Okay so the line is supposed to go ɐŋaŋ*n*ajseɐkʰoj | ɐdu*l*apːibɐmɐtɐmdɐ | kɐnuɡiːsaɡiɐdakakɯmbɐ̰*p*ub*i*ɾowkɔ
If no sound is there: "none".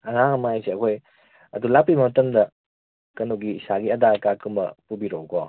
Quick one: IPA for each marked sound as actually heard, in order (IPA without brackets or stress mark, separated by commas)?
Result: m, l, p, i